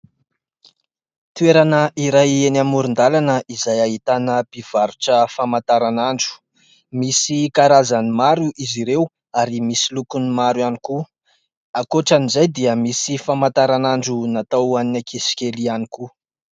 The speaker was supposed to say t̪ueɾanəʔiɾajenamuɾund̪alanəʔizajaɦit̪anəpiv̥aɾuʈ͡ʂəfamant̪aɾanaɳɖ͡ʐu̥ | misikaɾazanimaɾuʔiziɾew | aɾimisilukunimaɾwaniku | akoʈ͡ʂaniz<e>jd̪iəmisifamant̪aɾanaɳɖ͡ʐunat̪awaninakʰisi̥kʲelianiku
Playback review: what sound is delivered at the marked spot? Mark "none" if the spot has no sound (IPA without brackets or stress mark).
a